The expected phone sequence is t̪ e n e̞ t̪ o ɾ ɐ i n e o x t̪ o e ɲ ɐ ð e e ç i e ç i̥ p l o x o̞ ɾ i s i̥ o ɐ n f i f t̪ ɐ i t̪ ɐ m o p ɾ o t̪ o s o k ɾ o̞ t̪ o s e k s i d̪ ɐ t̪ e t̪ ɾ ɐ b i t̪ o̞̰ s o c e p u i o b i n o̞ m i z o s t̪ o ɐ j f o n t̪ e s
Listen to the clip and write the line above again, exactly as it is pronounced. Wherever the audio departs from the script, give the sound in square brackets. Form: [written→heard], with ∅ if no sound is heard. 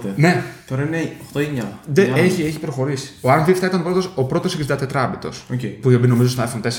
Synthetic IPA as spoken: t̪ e n e̞ t̪ o ɾ ɐ i n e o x t̪ o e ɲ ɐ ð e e ç i e ç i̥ p [l→ɾ] o x o̞ ɾ i s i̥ o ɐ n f i f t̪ ɐ i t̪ ɐ [m→n] o p ɾ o t̪ o s o [k→p] ɾ o̞ t̪ o s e k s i d̪ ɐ t̪ e t̪ ɾ ɐ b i t̪ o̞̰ s o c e p u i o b i n o̞ m i z o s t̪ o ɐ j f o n t̪ e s